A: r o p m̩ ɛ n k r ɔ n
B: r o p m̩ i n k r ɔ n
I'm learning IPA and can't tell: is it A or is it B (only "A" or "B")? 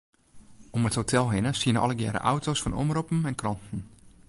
A